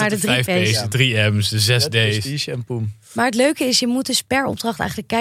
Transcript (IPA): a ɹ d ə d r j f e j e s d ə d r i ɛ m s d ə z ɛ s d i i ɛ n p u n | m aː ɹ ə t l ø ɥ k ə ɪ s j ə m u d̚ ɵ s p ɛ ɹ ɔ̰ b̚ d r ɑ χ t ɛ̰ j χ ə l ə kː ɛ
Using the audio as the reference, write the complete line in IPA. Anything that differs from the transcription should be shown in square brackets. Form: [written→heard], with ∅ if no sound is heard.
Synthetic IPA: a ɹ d ə d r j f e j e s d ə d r i ɛ m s d ə z ɛ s d [i→e] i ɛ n p u [n→m] | m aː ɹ ə t l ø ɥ k ə ɪ s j ə m u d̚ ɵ s p ɛ ɹ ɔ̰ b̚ d r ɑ χ t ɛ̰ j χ ə l ə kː ɛ